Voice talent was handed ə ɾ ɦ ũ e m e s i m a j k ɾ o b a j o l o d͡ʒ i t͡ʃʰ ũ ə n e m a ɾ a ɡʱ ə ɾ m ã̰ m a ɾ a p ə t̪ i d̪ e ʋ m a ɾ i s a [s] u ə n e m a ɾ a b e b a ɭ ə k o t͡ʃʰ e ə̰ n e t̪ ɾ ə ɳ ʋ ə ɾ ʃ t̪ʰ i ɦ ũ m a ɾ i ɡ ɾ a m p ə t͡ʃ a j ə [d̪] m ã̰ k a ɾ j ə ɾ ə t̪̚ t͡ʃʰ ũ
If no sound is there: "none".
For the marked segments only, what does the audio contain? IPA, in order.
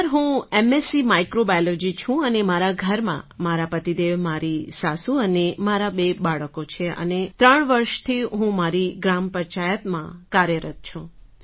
s, t̪

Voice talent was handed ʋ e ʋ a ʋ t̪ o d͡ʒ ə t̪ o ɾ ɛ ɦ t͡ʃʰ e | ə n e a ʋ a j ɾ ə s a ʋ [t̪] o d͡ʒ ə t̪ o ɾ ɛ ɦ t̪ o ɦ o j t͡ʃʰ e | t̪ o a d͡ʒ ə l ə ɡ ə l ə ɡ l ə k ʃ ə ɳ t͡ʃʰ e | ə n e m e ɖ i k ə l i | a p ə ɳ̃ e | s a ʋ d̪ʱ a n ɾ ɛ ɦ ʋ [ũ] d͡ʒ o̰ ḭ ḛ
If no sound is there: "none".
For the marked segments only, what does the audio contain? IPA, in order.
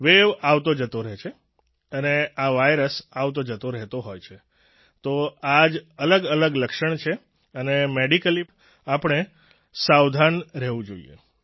t̪, ũ

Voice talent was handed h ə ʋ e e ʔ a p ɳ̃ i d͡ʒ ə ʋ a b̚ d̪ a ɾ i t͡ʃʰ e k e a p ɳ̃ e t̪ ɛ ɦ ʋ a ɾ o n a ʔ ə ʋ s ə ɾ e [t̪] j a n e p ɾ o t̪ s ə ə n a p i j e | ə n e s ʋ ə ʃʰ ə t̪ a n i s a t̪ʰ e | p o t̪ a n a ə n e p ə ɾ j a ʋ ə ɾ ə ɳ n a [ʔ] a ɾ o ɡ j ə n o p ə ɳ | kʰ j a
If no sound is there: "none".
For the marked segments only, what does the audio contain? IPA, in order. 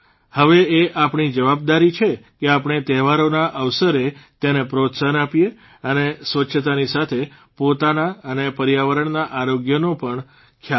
t̪, ʔ

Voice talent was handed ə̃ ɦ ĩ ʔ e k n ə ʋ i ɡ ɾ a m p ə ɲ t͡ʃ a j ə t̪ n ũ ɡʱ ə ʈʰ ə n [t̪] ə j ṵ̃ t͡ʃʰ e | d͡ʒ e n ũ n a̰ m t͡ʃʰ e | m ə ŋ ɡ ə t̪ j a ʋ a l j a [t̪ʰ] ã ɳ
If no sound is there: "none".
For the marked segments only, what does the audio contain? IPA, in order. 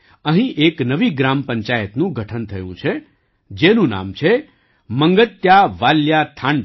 t̪ʰ, t̪ʰ

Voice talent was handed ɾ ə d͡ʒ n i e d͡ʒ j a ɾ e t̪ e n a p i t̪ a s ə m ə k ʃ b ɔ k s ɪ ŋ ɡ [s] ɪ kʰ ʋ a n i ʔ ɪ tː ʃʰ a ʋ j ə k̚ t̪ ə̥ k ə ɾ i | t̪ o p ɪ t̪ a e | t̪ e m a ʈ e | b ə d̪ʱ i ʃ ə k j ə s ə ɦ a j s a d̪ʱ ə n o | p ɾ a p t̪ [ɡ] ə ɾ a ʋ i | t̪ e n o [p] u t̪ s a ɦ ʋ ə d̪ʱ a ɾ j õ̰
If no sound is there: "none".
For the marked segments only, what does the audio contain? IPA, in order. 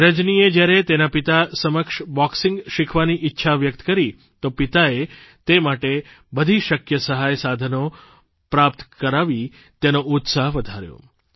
ʃ, k, none

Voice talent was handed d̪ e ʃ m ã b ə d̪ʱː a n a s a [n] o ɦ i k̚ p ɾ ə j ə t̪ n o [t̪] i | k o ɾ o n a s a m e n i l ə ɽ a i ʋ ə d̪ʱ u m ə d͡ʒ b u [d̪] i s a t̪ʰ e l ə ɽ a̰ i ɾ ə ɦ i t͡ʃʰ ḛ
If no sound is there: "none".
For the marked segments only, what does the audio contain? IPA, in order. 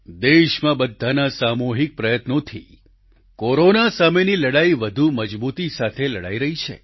m, t̪ʰ, t̪

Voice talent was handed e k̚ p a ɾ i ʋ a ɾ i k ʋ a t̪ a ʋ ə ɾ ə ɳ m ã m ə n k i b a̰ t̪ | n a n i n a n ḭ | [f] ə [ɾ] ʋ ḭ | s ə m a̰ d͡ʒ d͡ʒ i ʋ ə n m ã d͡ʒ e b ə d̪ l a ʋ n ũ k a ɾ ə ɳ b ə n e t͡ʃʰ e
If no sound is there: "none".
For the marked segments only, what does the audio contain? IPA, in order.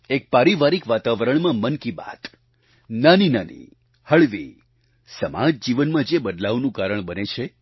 h, ɭ

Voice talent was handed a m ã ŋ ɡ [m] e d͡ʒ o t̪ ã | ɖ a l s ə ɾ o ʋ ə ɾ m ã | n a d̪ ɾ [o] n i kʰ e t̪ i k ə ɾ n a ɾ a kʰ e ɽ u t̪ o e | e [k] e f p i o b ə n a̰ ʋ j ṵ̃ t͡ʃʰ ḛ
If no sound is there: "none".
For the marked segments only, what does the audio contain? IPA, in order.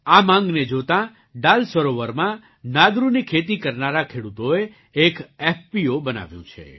n, u, k

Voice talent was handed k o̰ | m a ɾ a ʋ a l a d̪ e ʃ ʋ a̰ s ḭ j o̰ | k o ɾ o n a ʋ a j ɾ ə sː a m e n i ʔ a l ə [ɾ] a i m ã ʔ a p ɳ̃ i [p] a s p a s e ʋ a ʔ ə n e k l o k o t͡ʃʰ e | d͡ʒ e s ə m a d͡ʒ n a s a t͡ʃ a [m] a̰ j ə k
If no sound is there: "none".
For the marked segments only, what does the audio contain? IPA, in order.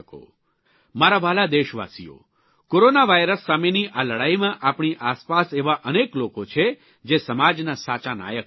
ɽ, ʔ, n

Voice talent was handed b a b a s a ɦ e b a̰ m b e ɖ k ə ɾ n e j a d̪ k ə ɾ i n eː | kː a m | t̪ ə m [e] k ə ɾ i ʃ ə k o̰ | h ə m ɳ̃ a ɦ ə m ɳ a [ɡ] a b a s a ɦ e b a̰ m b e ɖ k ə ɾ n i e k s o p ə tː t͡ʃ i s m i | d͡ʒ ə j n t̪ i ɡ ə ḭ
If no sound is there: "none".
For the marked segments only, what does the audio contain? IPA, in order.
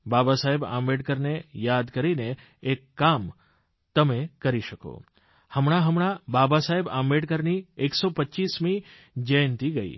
e, b

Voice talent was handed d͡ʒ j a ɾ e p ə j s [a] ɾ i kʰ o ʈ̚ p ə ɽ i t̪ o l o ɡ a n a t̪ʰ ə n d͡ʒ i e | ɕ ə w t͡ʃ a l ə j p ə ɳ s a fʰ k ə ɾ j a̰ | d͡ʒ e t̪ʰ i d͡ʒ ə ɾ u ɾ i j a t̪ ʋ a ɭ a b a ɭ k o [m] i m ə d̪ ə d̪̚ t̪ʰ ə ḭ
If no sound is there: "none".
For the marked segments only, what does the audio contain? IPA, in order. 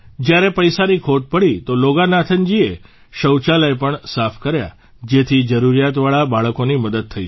a, n

